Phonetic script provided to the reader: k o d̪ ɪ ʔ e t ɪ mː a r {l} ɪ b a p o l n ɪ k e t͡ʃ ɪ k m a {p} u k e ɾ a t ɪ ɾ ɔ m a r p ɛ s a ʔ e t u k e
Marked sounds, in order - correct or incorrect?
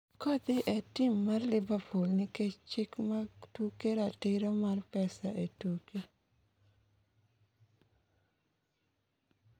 correct, incorrect: t

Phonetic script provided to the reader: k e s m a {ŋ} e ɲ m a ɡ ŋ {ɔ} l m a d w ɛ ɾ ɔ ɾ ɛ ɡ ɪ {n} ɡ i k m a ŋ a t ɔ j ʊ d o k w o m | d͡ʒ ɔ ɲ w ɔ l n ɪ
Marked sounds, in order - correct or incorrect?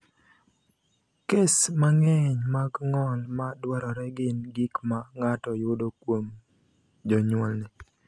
correct, correct, correct

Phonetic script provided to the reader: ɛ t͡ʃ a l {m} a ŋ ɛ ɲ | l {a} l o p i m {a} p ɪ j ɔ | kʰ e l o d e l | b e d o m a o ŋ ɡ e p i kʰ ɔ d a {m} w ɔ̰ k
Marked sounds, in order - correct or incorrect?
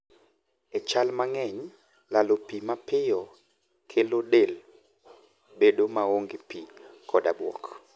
correct, correct, correct, incorrect: b

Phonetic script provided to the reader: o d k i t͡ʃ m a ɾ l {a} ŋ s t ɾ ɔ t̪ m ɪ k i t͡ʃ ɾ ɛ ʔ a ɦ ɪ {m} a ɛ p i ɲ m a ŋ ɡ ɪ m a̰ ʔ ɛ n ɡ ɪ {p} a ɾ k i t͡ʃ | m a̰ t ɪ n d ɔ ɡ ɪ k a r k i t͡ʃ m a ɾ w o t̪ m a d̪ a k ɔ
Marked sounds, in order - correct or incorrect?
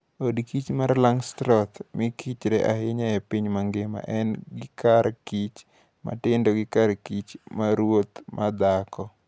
correct, incorrect: ɲ, incorrect: k

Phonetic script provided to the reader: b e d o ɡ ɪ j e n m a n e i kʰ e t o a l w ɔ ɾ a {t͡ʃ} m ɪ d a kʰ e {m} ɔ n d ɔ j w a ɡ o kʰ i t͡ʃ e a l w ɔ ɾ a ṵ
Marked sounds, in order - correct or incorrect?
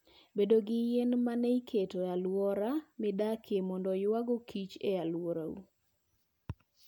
incorrect: none, correct

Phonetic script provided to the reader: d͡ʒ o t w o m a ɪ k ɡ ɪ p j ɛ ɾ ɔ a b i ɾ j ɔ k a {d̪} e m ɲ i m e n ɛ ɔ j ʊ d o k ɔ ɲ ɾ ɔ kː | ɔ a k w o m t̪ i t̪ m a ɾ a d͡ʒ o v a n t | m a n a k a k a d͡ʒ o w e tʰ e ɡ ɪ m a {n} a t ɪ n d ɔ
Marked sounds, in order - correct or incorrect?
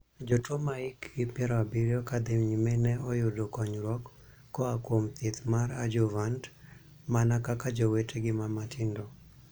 correct, incorrect: m

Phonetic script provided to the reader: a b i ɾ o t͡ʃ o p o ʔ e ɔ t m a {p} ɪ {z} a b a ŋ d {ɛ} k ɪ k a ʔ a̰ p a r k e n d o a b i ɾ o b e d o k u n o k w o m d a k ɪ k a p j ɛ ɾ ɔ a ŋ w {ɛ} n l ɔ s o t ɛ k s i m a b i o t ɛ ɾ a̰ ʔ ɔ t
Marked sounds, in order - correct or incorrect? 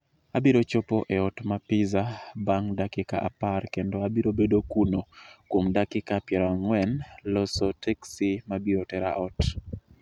correct, correct, incorrect: a, correct

